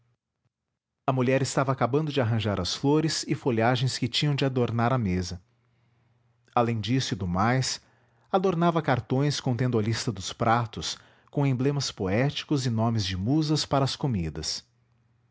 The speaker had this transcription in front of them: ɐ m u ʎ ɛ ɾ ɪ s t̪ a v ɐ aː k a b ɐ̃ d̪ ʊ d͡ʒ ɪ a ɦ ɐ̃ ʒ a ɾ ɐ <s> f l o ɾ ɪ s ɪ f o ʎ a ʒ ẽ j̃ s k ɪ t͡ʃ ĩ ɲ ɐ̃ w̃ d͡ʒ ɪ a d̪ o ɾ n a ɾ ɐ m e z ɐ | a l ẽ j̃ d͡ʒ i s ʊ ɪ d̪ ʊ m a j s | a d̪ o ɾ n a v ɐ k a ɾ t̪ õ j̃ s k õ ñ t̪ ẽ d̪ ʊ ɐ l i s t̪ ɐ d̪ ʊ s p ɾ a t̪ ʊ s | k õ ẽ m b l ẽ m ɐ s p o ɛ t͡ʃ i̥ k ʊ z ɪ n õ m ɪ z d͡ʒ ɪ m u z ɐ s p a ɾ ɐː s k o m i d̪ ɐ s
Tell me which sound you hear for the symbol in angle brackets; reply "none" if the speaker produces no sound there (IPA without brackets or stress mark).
s